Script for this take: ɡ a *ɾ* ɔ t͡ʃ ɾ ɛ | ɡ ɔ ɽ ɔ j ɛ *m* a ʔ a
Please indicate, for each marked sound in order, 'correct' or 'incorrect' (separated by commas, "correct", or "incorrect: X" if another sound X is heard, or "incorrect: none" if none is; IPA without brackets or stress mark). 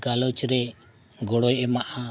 incorrect: l, correct